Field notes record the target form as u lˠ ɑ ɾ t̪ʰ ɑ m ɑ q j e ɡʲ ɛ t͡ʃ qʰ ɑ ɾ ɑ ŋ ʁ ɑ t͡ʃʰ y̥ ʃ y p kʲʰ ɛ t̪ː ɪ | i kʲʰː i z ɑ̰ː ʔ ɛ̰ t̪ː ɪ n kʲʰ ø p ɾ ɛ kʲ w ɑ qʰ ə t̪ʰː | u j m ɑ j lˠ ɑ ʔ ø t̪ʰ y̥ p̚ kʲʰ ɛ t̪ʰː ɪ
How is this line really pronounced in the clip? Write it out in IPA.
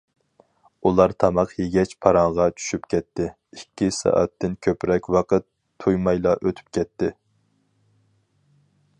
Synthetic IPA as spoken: u lˠ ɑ ɾ t̪ʰ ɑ m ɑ q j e ɡʲ ɛ t͡ʃ pʰ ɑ ɾ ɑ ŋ ʁ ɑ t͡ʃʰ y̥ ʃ y p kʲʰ ɛ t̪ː ɪ | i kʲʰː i s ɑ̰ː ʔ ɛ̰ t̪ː ɪ n kʲʰ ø p ɾ ɛ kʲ w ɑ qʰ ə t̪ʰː | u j m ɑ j lˠ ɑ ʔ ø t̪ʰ y̥ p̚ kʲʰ ɛ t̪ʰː ɪ